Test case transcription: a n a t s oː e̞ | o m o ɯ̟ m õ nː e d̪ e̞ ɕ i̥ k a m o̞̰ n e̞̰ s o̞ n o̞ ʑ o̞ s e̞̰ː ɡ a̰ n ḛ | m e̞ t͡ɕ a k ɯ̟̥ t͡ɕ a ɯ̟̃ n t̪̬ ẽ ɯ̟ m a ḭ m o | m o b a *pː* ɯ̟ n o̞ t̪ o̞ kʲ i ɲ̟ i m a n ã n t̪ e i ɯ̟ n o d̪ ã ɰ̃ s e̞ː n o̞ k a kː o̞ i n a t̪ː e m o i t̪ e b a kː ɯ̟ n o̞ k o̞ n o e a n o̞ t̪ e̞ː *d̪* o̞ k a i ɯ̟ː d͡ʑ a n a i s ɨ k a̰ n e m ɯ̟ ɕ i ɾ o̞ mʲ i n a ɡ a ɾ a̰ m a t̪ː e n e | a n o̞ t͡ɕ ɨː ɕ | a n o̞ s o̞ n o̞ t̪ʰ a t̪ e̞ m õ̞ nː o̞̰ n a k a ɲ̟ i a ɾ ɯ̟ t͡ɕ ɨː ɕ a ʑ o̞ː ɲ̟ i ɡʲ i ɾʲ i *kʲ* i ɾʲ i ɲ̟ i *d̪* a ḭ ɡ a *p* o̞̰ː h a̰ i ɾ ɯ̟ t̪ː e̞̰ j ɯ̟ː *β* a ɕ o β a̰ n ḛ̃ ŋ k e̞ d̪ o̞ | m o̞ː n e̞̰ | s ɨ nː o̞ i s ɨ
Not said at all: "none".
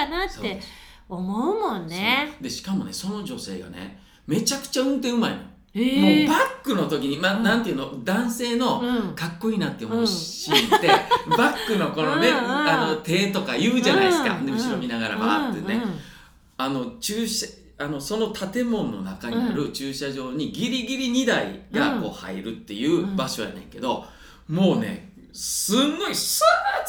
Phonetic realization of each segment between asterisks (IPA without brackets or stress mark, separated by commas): kː, t̪, ɡʲ, d̪, k, b